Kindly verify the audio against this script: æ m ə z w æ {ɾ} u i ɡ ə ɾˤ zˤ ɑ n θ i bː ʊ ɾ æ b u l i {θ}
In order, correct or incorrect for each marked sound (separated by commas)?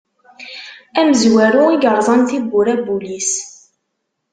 correct, incorrect